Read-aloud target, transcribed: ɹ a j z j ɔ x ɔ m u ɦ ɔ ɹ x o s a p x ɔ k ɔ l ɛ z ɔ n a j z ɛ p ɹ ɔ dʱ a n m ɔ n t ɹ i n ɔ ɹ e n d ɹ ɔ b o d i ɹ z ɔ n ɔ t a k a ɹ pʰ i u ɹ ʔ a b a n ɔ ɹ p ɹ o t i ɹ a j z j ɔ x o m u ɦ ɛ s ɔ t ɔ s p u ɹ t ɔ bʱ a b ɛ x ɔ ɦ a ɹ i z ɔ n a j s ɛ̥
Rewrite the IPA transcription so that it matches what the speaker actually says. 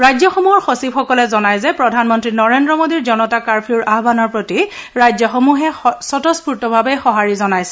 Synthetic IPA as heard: ɹ a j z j ɔ x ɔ m u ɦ ɔ ɹ x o s i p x ɔ k ɔ l ɛ z ɔ n a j z ɛ p ɹ ɔ dʱ a n m ɔ n t ɹ i n ɔ ɹ e n d ɹ ɔ m o d i ɹ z ɔ n ɔ t a k a ɹ pʰ i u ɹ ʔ a b a n ɔ ɹ p ɹ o t i ɹ a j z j ɔ x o m u ɦ ɛ s ɔ t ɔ s p u ɹ t ɔ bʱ a b ɛ x ɔ ɦ a ɹ i z ɔ n a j s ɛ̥